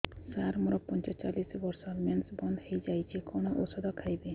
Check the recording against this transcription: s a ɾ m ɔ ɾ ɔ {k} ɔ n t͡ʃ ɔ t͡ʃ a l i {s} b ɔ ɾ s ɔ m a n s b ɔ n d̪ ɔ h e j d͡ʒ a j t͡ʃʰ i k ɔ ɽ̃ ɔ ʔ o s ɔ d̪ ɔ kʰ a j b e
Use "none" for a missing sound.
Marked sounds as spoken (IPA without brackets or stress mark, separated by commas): p, s